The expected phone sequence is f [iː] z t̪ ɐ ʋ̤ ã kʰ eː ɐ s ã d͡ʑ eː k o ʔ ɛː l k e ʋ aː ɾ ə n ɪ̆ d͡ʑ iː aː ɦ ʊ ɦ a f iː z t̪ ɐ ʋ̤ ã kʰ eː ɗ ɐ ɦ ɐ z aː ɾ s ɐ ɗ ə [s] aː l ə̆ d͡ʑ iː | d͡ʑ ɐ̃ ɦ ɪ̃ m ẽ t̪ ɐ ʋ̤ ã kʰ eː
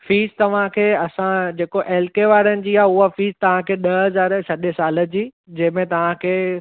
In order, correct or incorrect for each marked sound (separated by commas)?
correct, correct